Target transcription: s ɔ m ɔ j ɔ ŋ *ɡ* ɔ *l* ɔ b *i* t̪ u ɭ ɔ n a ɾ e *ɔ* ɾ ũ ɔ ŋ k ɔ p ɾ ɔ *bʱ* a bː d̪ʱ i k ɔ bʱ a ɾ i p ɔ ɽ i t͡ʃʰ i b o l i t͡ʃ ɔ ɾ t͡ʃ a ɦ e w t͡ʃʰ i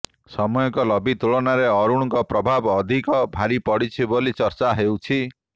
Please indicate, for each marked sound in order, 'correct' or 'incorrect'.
incorrect: k, correct, correct, correct, correct

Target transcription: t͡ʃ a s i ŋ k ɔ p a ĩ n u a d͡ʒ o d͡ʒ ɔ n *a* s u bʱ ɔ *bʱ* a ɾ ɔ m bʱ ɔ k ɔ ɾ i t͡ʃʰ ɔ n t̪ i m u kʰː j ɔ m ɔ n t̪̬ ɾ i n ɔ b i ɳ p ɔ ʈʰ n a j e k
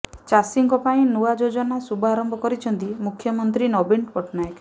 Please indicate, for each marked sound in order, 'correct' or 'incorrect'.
correct, incorrect: none

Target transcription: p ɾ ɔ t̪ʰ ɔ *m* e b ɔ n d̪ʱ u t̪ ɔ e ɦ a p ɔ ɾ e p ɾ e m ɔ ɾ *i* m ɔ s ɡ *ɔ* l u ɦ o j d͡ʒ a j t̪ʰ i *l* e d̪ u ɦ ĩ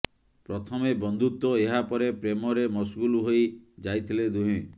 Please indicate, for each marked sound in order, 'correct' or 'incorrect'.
correct, incorrect: e, incorrect: u, correct

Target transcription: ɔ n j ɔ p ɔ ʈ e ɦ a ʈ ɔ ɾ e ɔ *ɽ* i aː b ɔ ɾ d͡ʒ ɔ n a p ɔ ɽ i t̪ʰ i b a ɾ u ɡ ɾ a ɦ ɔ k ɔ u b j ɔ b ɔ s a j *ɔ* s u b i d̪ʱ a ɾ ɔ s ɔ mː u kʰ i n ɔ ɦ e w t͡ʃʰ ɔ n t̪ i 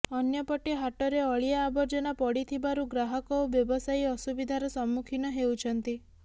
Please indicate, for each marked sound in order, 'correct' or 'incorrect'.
incorrect: ɭ, correct

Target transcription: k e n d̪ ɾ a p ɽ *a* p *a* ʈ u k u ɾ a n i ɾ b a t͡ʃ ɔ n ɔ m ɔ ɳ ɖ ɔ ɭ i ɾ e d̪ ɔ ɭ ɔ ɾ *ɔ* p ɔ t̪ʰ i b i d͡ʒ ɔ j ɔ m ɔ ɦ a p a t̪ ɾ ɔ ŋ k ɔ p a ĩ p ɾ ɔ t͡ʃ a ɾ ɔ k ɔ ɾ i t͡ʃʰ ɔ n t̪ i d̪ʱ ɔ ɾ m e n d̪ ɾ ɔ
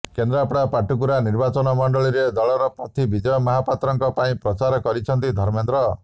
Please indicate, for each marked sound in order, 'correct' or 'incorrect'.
correct, correct, correct

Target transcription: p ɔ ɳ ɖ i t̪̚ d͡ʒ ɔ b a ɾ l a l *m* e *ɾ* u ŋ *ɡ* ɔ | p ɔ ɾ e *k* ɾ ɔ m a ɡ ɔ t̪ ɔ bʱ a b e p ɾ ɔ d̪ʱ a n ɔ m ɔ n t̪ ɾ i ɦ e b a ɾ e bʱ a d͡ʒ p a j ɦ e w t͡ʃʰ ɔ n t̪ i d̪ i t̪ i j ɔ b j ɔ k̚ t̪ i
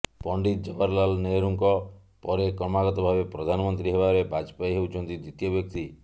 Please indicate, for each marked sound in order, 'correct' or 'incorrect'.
incorrect: n, correct, incorrect: k, correct

